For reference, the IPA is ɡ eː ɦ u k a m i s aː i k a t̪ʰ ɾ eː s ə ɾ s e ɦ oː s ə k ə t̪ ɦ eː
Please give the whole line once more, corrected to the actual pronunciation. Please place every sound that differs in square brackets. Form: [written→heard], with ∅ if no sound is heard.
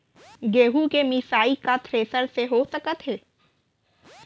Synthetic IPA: ɡ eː ɦ u k [a→e] m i s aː i k a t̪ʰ ɾ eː s ə ɾ s e ɦ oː s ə k ə t̪ ɦ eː